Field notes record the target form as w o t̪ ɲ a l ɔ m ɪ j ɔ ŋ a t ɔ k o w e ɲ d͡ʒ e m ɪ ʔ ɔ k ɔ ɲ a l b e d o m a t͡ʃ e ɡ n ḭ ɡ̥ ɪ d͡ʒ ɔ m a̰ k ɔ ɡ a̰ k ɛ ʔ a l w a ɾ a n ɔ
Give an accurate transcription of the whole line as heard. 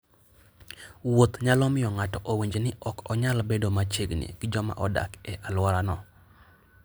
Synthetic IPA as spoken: w o t̪ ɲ a l ɔ m ɪ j ɔ ŋ a t ɔ ʔ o w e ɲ d͡ʒ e n ɪ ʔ ɔ k ɔ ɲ a l b e d o m a t͡ʃ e ɡ n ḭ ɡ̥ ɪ d͡ʒ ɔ m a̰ ʔ ɔ d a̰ k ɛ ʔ a l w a ɾ a n ɔ

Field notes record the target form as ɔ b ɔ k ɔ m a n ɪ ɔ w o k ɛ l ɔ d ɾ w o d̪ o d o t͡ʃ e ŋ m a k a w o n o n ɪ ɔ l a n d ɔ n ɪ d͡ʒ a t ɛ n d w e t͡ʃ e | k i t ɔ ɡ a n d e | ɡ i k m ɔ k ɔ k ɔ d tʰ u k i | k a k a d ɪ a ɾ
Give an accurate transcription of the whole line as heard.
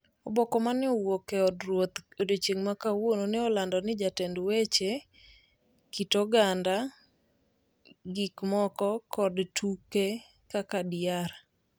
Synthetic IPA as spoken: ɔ b ɔ k ɔ m a n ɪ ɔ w o k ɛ ɔ d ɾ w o t̪ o d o t͡ʃ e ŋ m a k a w o n o n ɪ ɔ l a n d ɔ n ɪ d͡ʒ a t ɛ n d w e t͡ʃ e | k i t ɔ ɡ a n d a | ɡ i k m ɔ k ɔ k ɔ d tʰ u k e | k a k a d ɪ a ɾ

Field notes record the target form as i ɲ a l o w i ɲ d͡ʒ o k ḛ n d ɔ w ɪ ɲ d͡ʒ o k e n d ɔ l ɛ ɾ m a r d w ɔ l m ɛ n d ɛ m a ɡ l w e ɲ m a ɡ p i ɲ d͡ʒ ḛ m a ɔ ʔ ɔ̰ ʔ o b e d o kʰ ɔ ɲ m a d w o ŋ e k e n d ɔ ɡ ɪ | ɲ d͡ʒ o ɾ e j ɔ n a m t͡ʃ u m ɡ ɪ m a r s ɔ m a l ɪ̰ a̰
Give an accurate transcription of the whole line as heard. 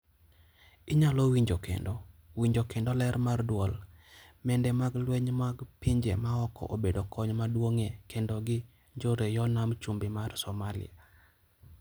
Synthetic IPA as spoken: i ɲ a l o w i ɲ d͡ʒ o k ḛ n d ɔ w i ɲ d͡ʒ o k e n d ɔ l ɛ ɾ m a r d w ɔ l m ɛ n d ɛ m a ɡ l w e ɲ m a ɡ p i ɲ d͡ʒ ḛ m a ɔ k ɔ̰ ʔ o b e d o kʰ ɔ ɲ m a d w o ŋ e k e n d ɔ ɡ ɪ | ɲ d͡ʒ o ɾ e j ɔ n a m t͡ʃ u m b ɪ m a r s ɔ m a l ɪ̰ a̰

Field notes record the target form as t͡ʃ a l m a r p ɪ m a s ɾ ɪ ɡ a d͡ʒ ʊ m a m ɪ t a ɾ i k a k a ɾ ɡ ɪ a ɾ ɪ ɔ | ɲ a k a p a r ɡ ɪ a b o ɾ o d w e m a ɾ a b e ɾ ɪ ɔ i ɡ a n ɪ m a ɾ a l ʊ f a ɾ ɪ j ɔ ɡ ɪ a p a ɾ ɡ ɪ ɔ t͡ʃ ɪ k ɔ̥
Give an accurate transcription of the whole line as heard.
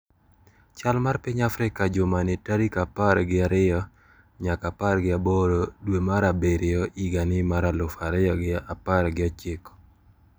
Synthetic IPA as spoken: t͡ʃ a l m a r p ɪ ɲ a f ɾ ɪ k a d͡ʒ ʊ m a n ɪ t a ɾ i k a p a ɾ ɡ ɪ a ɾ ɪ ɔ | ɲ a k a p a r ɡ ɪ a b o ɾ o d w e m a ɾ a b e ɾ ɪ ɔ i ɡ a n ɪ m a ɾ a l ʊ f a ɾ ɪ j ɔ ɡ ɪ a p a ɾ ɡ ɪ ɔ t͡ʃ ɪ k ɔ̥

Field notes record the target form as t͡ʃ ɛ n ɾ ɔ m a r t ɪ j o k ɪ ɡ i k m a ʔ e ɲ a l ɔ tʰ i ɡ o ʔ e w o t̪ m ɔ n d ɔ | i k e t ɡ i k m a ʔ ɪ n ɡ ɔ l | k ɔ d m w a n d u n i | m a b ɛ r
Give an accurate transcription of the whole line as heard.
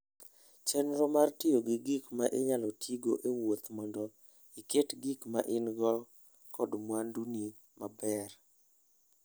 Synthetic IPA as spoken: t͡ʃ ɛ n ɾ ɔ m a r t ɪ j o ɡ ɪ ɡ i k m a ʔ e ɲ a l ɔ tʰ i ɡ o ʔ e w o t̪ m ɔ n d ɔ | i k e t ɡ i k m a ʔ ɪ n ɡ ɔ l | k ɔ d m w a n d u n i | m a b ɛ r

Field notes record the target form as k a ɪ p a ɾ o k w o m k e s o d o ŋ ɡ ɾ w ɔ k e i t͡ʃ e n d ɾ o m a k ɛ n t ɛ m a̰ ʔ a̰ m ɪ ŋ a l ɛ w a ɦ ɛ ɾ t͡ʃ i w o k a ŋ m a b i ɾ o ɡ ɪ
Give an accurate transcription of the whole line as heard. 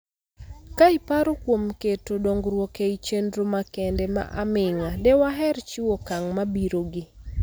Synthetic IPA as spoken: k a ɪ p a ɾ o k w o m k e t o d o ŋ ɡ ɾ w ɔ k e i t͡ʃ e n d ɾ o m a k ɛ n d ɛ m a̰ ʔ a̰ m ɪ ŋ a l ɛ w a ɦ ɛ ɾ t͡ʃ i w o k a ŋ m a b i ɾ o ɡ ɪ

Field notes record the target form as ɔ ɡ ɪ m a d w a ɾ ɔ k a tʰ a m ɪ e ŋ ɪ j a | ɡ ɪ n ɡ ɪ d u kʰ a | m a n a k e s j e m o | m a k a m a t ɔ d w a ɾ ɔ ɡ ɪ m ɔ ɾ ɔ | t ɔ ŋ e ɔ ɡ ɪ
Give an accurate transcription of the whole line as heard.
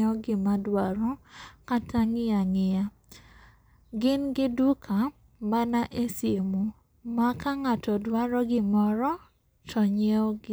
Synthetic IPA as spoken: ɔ ɡ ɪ m a d w a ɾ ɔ k a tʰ a ŋ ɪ a ŋ ɪ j a | ɡ ɪ n ɡ ɪ d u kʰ a | m a n a ʔ e s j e m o | m a k a ŋ a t ɔ d w a ɾ ɔ ɡ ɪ m ɔ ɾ ɔ | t ɔ ɲ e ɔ ɡ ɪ

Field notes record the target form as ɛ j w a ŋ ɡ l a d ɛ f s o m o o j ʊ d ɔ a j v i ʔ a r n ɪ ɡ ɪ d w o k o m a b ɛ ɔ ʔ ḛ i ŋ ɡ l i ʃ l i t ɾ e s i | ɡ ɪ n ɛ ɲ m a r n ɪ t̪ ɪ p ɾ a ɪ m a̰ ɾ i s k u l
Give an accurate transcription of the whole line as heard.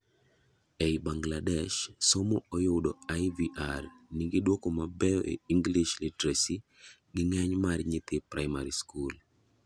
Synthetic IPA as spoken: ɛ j b a ŋ ɡ l a d ɛ ʃ s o m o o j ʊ d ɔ a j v i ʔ a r n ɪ ɡ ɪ d w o k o m a b ɛ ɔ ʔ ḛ i ŋ ɡ l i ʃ l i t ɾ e s i | ɡ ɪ ŋ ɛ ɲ m a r ɲ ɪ t̪ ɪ p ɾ a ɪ m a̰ ɾ i s k u l

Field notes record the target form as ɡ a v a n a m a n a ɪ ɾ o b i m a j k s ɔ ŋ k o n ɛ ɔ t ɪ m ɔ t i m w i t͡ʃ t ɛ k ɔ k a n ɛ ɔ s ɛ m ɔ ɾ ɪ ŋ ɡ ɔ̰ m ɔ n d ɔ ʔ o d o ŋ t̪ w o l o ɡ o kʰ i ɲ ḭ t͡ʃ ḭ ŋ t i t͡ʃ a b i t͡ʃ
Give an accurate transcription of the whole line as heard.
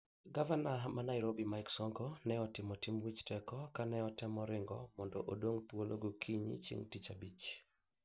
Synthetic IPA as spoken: ɡ a v a n a m a n a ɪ ɾ o b i m a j k s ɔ ŋ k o n ɛ ɔ t ɪ m ɔ t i m w i t͡ʃ t ɛ k ɔ k a n ɛ ɔ t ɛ m ɔ ɾ ɪ ŋ ɡ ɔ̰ m ɔ n d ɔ ʔ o d o ŋ t̪ w o l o ɡ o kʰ i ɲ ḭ t͡ʃ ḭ ŋ t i t͡ʃ a b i t͡ʃ

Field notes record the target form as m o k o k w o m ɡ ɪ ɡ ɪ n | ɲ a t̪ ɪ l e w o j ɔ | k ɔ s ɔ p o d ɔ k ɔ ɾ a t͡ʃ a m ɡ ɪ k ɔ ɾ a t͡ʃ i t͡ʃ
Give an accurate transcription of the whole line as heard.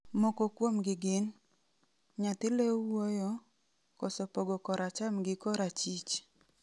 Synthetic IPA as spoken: m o k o k w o m ɡ ɪ ɡ ɪ n | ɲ a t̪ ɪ l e w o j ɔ | k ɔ s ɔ p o ɡ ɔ k ɔ ɾ a t͡ʃ a m ɡ ɪ k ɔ ɾ a t͡ʃ i t͡ʃ

